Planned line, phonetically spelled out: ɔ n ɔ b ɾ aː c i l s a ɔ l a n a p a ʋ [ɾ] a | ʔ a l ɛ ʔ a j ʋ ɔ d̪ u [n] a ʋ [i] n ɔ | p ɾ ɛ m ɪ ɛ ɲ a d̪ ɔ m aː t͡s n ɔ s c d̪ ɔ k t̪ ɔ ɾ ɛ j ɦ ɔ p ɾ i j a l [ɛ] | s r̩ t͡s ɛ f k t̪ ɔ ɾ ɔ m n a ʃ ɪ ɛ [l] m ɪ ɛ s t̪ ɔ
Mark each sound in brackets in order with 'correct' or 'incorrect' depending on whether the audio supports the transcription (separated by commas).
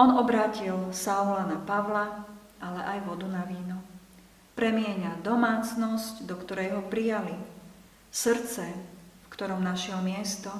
incorrect, correct, incorrect, incorrect, correct